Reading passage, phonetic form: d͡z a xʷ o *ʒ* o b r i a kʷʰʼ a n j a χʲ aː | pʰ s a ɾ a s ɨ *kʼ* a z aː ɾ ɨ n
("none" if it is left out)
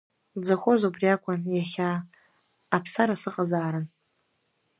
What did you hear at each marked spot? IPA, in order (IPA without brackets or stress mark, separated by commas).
z, qʼ